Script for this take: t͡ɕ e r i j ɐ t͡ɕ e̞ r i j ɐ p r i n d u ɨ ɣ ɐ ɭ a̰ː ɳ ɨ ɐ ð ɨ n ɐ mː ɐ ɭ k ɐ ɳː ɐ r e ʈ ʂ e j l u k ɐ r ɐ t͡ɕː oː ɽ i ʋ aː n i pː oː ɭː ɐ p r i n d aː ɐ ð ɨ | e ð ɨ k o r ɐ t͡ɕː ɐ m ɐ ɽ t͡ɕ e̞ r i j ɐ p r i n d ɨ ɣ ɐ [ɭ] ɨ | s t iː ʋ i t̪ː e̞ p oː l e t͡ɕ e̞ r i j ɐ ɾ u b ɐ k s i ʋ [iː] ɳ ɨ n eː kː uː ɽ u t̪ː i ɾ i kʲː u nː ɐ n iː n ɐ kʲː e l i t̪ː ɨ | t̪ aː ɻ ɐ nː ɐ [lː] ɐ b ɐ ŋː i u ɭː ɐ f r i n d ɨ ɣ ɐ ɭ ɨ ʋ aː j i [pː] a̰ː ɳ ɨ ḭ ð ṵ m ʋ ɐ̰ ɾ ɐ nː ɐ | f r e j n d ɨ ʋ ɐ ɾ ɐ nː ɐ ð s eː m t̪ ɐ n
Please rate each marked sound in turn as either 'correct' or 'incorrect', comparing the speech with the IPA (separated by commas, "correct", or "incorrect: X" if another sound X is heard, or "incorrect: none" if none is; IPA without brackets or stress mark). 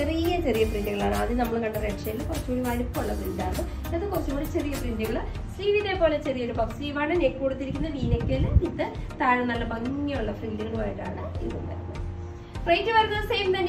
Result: correct, incorrect: aː, correct, incorrect: ʈː